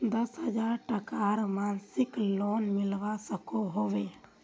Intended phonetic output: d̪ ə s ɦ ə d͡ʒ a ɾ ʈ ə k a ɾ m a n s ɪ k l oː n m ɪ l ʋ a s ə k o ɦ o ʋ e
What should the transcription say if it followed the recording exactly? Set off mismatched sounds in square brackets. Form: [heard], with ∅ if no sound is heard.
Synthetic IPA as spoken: d̪ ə s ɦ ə d͡ʒ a ɾ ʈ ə k a ɾ m a n s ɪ k l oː n m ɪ l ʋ a s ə k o ɦ o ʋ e